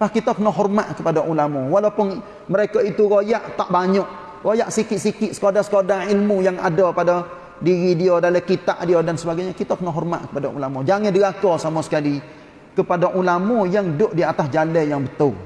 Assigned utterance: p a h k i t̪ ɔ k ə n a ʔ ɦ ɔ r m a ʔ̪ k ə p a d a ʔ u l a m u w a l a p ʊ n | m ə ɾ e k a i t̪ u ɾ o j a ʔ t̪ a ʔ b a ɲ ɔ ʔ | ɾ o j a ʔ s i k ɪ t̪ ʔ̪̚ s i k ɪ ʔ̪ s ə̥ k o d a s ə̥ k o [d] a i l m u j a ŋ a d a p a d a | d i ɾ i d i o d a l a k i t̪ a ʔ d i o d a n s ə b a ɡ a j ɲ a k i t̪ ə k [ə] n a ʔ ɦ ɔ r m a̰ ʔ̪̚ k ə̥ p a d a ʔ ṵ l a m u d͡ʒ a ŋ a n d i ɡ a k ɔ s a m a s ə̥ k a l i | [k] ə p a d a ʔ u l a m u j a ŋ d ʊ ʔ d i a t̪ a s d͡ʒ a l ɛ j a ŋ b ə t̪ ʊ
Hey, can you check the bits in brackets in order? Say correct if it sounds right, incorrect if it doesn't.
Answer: correct, correct, correct

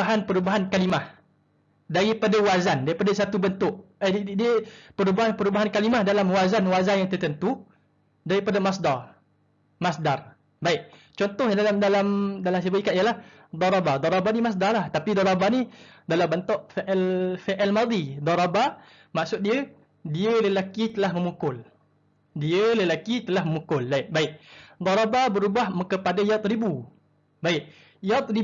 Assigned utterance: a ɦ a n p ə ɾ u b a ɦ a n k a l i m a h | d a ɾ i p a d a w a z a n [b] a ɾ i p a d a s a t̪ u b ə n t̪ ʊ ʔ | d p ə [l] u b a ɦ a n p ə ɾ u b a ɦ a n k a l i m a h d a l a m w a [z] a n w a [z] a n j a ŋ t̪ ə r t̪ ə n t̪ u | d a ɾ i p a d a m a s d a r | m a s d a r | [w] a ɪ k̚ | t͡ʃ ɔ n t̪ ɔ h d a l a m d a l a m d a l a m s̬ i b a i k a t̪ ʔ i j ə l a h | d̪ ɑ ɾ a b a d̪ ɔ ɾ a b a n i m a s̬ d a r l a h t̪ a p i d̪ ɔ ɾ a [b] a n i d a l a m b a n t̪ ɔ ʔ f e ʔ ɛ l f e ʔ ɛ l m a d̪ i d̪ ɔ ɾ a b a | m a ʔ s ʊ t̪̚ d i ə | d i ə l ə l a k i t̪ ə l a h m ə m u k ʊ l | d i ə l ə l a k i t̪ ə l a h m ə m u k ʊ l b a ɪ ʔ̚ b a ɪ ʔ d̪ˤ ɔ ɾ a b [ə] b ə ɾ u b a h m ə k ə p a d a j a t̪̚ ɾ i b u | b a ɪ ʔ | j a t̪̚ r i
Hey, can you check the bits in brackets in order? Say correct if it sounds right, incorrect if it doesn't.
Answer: incorrect, incorrect, correct, correct, incorrect, correct, incorrect

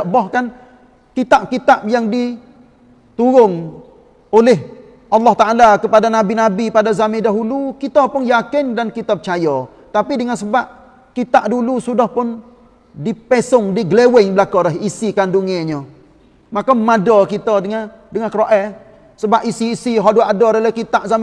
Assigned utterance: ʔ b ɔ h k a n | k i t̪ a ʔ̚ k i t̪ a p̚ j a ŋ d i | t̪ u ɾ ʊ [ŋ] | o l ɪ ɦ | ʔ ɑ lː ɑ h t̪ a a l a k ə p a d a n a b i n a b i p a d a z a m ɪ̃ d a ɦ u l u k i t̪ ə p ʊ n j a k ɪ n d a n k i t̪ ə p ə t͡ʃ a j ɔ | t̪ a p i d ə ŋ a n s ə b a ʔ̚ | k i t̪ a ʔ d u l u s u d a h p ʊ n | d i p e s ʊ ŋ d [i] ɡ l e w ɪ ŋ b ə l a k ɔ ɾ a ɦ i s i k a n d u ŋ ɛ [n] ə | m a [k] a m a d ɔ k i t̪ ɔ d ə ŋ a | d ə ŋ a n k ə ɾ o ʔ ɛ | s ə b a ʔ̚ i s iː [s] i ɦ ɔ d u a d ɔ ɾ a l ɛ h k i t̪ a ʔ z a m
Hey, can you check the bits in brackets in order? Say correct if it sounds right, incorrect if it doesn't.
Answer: correct, correct, incorrect, correct, correct

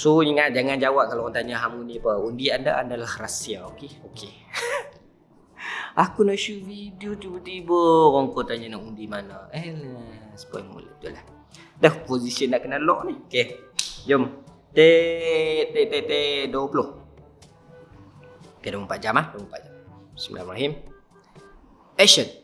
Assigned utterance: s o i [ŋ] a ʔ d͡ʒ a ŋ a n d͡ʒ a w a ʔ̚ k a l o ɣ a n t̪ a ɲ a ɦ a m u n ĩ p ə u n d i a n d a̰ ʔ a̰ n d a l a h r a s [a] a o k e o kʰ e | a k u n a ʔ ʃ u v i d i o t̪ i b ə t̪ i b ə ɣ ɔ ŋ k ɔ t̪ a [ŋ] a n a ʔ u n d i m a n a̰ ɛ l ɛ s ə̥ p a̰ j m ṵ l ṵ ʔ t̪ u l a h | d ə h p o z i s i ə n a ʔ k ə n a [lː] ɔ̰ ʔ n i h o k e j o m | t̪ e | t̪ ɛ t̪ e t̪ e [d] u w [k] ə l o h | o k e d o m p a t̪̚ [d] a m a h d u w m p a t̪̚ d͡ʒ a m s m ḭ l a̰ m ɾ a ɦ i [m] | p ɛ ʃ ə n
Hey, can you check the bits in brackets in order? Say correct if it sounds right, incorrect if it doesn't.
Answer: correct, incorrect, incorrect, incorrect, correct, incorrect, incorrect, correct

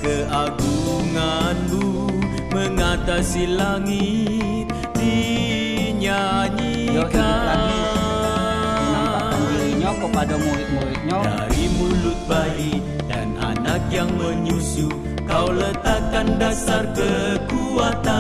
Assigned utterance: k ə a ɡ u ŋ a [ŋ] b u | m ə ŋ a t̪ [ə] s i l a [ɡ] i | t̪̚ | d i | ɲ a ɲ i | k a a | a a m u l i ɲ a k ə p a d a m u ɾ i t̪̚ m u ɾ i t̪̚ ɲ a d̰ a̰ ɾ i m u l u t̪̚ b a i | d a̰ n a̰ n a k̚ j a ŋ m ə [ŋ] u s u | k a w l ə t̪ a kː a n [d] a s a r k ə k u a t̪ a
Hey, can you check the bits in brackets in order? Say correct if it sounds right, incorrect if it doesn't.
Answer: incorrect, incorrect, incorrect, incorrect, correct

